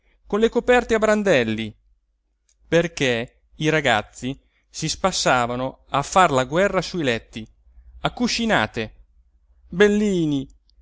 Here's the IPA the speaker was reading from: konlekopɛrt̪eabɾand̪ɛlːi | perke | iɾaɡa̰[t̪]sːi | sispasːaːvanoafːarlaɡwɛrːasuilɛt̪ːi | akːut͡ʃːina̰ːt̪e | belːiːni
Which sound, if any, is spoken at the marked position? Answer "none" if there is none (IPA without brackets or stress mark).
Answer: t̪